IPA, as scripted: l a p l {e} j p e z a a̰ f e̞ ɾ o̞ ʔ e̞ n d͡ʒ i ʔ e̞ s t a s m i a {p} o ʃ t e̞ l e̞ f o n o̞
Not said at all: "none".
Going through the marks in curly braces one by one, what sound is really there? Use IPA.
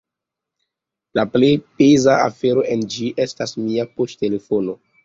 e, p

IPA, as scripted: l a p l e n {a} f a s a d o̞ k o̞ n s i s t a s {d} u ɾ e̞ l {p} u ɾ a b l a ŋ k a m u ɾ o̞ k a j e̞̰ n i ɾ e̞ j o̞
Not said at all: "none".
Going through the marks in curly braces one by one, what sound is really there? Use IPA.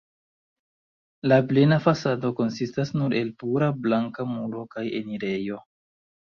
a, n, p

